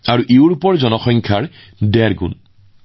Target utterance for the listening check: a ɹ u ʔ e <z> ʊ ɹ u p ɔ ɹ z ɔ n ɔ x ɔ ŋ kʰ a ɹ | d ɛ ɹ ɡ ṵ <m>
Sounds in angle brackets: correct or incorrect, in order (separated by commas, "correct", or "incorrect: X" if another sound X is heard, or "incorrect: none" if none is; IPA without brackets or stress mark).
incorrect: none, incorrect: n